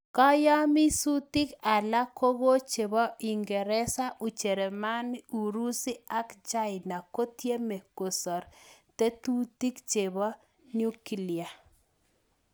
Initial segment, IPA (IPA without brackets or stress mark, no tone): k